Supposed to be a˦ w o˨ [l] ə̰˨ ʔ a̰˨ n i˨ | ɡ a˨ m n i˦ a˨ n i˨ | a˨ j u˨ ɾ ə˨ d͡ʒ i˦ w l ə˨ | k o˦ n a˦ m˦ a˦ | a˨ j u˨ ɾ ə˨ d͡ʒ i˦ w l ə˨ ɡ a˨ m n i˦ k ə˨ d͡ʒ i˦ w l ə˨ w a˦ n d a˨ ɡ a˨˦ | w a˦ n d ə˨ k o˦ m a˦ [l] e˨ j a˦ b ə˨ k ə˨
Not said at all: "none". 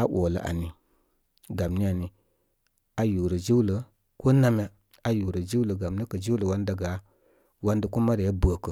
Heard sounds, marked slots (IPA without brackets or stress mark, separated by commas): l, ɾ